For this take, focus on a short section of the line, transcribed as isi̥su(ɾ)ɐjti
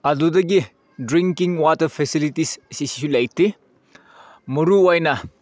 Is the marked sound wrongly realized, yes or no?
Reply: yes